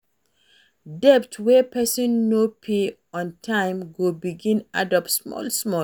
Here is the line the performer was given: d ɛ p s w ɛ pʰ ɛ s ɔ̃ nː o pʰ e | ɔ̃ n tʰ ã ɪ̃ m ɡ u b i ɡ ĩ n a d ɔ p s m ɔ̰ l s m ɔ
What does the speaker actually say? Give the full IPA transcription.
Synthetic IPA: d ɛ p t w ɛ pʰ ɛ s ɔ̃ nː o pʰ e | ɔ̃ n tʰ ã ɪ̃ m ɡ o b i ɡ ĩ n a d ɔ p s m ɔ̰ l s m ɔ